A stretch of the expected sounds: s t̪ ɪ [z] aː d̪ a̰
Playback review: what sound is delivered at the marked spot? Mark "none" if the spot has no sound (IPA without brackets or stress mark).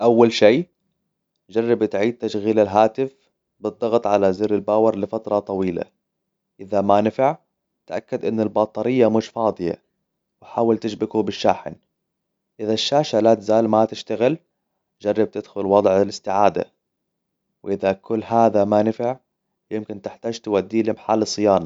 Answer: ʕ